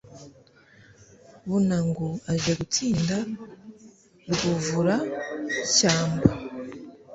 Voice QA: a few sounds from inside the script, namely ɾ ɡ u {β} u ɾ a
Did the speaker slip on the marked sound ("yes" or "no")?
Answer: yes